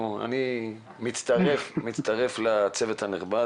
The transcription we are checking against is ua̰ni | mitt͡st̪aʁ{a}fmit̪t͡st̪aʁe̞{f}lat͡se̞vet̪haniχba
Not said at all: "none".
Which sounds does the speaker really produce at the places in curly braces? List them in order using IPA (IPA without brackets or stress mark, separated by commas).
e, f